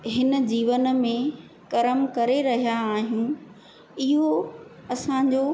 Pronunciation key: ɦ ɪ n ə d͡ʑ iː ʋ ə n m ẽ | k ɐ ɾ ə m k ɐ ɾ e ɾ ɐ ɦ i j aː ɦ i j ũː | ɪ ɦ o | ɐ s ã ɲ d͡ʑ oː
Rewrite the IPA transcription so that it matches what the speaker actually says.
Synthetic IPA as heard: ɦ ɪ n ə d͡ʑ iː ʋ ə n m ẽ | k ɐ ɾ ə m k ɐ ɾ e ɾ ɐ ɦ i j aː ɦ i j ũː | ɪ ɦ o | ɐ s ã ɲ d͡ʑ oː